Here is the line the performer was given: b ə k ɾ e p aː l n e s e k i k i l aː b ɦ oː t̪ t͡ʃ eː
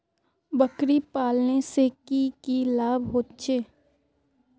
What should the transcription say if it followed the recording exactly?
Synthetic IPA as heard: b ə k ɾ i p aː l n e s e k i k i l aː b ɦ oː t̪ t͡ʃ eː